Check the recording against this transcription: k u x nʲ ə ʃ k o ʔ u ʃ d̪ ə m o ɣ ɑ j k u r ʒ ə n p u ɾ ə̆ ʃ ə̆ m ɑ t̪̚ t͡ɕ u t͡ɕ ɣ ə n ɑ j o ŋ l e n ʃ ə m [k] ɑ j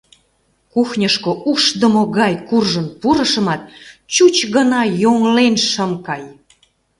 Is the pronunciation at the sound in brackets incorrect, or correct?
correct